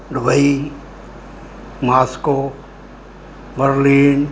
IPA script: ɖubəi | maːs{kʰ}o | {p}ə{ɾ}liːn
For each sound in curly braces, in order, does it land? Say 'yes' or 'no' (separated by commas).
no, no, yes